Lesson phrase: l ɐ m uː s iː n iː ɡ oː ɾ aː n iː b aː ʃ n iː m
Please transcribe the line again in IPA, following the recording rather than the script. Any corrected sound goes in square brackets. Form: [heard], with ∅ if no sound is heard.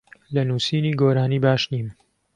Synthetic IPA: l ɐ [n] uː s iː n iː ɡ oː ɾ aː n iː b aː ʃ n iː m